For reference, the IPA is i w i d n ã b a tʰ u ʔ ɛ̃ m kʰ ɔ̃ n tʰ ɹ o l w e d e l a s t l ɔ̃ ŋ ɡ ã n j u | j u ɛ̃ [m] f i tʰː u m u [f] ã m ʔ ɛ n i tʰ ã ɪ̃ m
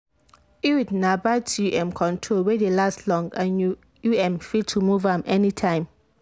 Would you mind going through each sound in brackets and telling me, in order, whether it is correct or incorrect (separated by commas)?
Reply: correct, incorrect